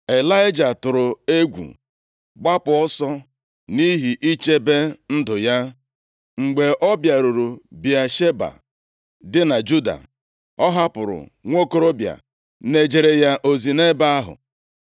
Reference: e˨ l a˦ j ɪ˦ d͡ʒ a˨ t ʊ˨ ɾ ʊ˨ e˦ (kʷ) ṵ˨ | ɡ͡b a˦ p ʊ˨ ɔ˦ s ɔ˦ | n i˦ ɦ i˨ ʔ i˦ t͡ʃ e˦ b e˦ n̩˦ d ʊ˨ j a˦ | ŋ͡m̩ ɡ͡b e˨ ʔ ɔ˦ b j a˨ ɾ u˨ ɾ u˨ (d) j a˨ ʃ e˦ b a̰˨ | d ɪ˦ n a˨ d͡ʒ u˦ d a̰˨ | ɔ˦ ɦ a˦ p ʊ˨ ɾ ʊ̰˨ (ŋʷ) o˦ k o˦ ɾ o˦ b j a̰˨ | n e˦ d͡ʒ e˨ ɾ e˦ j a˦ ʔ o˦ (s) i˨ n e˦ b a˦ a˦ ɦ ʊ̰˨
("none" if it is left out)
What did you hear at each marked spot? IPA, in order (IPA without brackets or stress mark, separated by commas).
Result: ɡʷ, b, ŋʷ, z